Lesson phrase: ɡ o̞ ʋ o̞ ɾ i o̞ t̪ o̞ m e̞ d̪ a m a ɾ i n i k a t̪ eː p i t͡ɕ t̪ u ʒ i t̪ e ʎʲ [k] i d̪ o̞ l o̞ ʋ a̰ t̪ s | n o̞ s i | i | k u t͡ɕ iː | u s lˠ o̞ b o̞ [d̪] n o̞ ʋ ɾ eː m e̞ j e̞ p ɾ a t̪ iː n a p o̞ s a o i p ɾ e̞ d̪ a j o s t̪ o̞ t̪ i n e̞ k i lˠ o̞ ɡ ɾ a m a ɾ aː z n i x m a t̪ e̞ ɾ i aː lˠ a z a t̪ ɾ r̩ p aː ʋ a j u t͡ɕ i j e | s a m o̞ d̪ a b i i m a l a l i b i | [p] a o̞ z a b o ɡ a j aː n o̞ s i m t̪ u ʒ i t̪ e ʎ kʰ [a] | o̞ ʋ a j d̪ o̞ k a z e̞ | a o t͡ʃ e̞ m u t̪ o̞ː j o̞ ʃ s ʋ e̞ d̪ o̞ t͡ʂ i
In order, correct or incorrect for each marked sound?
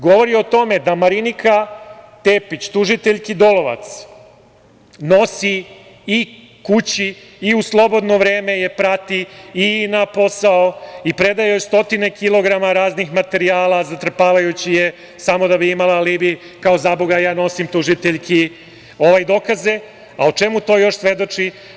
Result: correct, correct, incorrect: k, incorrect: i

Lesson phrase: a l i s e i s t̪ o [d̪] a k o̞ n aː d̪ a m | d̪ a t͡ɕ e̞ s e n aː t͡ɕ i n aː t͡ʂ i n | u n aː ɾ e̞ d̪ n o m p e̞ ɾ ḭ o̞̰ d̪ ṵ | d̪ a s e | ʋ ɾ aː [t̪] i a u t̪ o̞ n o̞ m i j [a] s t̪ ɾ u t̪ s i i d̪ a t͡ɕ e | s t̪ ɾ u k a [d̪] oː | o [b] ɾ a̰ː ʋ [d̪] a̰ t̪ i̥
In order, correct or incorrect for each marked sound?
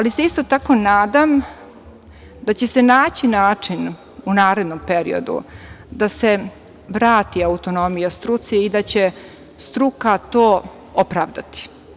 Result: incorrect: t̪, correct, correct, incorrect: t̪, incorrect: p, correct

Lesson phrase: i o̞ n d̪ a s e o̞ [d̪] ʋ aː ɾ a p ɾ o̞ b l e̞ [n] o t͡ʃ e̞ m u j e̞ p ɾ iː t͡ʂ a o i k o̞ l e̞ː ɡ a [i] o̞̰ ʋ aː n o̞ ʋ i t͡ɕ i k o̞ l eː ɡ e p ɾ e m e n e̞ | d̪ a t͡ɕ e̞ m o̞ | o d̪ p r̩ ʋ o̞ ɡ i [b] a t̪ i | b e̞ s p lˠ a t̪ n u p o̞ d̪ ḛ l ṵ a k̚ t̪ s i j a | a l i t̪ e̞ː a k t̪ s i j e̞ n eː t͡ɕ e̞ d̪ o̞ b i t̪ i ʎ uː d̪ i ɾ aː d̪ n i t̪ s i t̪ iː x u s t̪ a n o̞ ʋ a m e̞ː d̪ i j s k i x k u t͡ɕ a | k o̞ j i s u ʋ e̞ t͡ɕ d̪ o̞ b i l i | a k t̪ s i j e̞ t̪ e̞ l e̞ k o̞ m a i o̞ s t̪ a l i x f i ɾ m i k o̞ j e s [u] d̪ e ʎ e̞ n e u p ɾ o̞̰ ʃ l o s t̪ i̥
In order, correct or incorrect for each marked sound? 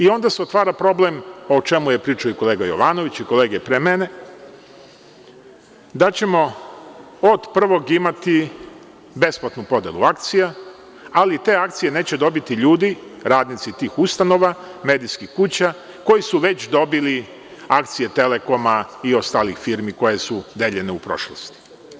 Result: incorrect: t̪, incorrect: m, incorrect: j, incorrect: m, correct

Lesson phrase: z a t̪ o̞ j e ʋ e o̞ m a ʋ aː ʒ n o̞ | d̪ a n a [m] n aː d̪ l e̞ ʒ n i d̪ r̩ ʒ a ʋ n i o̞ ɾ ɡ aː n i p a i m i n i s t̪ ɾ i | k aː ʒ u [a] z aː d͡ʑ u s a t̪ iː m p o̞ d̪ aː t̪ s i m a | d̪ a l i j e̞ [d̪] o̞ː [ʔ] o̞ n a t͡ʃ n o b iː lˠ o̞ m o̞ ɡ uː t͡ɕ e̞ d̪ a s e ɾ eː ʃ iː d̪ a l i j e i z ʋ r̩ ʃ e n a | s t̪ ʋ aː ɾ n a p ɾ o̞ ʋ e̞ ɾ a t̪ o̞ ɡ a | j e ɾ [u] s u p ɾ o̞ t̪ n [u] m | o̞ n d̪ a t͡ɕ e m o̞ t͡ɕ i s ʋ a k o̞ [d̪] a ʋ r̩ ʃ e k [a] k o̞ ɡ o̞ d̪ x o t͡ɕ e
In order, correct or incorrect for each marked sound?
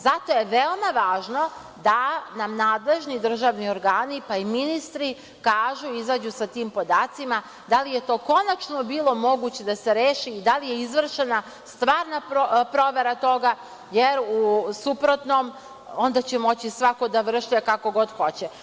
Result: correct, incorrect: i, incorrect: t̪, incorrect: k, correct, incorrect: o, correct, correct

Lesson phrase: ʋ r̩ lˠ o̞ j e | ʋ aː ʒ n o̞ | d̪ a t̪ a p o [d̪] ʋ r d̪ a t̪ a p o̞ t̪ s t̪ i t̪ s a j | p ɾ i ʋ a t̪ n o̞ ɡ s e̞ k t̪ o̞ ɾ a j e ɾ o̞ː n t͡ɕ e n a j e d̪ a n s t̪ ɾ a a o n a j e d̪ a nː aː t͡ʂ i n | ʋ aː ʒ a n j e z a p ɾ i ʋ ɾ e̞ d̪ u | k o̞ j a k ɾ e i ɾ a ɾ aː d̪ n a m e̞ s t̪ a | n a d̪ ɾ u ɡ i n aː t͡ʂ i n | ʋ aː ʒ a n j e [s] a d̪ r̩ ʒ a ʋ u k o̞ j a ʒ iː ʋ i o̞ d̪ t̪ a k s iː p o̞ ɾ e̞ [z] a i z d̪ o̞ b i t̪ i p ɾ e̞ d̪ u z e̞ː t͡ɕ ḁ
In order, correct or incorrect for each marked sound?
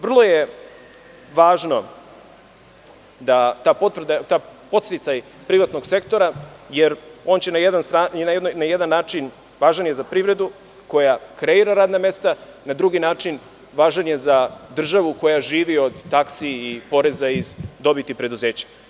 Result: incorrect: t̪, incorrect: z, correct

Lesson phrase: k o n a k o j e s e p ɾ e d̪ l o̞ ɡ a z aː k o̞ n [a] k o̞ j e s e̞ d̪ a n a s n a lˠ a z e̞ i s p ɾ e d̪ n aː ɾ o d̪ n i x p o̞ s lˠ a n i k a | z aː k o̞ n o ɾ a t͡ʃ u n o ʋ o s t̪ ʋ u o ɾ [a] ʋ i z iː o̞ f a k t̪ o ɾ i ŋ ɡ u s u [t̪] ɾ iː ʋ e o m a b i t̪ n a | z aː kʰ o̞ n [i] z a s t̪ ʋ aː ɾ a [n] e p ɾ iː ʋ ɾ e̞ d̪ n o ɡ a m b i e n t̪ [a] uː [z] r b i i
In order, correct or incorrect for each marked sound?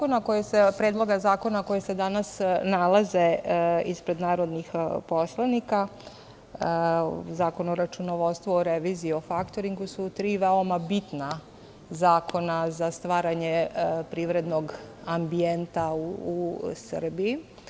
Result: correct, incorrect: e, correct, incorrect: a, incorrect: ɲ, correct, incorrect: s

